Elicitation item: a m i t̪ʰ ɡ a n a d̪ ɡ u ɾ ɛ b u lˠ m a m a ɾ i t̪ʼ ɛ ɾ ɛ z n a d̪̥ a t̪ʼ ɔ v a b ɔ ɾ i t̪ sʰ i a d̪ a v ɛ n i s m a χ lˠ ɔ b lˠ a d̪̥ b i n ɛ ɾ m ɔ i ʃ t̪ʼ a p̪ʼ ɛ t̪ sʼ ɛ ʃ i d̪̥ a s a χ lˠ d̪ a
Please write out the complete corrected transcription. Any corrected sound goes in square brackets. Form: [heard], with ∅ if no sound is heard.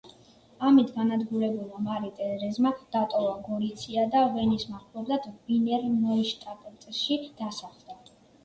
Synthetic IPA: a m i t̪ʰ ɡ a n a d̪ ɡ u ɾ ɛ b u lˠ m a m a ɾ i t̪ʼ ɛ ɾ ɛ z [m] a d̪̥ a t̪ʼ ɔ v a [ɡ] ɔ ɾ i t̪ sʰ i a d̪ a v ɛ n i s m a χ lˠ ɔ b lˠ a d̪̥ b i n ɛ ɾ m ɔ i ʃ t̪ʼ a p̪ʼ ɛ t̪ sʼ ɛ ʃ i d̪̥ a s a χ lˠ d̪ a

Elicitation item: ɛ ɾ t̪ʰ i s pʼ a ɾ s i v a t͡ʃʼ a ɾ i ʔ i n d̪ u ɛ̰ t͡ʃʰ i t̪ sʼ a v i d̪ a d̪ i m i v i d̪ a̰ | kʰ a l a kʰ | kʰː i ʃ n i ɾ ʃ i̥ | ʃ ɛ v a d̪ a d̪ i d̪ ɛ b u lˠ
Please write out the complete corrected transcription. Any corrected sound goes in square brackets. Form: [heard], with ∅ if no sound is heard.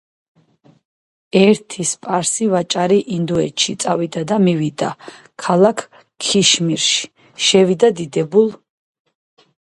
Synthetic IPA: ɛ ɾ t̪ʰ i s pʼ a ɾ s i v a t͡ʃʼ a ɾ i ʔ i n d̪ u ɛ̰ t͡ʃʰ i t̪ sʼ a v i d̪ a d̪ [a] m i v i d̪ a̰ | kʰ a l a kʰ | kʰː i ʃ [m] i ɾ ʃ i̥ | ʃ ɛ v [i] d̪ a d̪ i d̪ ɛ b u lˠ

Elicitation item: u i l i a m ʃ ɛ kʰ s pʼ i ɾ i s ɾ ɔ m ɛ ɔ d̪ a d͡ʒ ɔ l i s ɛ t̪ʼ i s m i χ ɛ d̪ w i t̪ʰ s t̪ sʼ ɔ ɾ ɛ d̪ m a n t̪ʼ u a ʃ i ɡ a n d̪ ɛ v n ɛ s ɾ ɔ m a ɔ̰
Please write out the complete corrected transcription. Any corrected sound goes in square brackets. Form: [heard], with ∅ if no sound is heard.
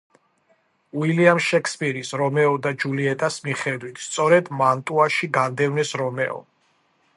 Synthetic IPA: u i l i a m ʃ ɛ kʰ s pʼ i ɾ i s ɾ ɔ m ɛ ɔ d̪ a d͡ʒ [u] l i [∅] ɛ t̪ʼ [a] s m i χ ɛ d̪ w i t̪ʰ s t̪ sʼ ɔ ɾ ɛ d̪ m a n t̪ʼ u a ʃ i ɡ a n d̪ ɛ v n ɛ s ɾ ɔ m [ɛ] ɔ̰

